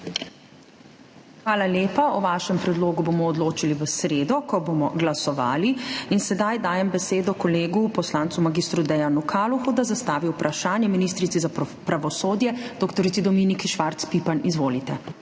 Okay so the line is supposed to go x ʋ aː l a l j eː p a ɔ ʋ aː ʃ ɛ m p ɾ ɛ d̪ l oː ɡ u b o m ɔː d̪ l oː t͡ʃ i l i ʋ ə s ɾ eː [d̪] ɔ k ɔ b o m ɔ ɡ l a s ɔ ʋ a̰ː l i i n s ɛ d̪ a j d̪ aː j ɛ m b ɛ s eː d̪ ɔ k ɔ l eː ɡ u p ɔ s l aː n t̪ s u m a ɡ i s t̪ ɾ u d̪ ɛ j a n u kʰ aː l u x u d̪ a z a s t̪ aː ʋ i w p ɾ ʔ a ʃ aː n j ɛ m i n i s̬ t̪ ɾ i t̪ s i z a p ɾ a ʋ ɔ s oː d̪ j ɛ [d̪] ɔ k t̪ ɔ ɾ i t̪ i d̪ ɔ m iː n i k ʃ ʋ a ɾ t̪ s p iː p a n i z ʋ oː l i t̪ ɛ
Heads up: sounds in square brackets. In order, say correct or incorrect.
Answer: correct, correct

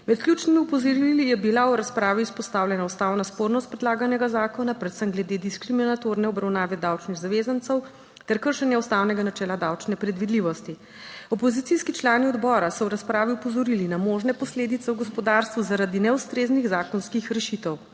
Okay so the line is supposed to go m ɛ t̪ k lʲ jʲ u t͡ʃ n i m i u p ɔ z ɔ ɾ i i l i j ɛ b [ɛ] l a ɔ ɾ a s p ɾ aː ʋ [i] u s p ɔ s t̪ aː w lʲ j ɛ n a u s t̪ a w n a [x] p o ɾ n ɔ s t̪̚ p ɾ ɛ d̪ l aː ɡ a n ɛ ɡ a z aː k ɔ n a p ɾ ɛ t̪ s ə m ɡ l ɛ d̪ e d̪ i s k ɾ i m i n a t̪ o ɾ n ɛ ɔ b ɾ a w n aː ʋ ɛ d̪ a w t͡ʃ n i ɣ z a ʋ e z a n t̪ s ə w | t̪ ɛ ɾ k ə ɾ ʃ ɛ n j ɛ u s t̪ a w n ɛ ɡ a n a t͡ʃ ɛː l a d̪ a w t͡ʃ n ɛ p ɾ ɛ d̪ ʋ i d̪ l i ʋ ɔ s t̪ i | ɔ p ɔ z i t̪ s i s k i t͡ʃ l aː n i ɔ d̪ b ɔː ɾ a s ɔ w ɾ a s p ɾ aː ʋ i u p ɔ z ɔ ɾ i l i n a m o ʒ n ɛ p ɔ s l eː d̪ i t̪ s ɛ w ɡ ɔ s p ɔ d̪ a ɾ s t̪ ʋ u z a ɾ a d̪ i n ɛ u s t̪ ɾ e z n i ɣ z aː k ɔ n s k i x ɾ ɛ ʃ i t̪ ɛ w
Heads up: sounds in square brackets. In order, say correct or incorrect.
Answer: incorrect: i, correct, incorrect: s

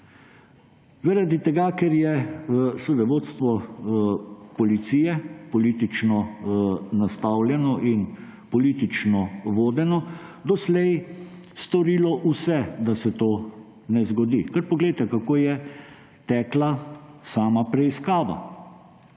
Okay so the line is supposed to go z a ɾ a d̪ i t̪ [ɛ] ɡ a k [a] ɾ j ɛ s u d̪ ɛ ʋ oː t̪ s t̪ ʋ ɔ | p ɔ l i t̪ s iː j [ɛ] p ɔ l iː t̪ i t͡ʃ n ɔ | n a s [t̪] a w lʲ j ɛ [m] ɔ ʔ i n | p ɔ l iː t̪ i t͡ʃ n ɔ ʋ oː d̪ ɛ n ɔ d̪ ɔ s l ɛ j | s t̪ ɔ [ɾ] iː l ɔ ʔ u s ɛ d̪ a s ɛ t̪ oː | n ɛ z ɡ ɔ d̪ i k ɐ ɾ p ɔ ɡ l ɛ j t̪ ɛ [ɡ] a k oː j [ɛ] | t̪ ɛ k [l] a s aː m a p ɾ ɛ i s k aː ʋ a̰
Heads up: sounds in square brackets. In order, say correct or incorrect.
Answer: correct, incorrect: ɛ, correct, correct, incorrect: n, correct, incorrect: k, correct, correct

